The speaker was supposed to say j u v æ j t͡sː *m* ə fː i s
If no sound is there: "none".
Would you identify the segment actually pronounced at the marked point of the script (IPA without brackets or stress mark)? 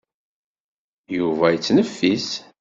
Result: n